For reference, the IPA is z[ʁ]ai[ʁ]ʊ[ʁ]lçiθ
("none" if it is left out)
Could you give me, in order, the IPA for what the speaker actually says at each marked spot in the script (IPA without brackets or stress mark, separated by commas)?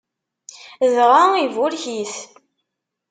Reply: ʁ, v, none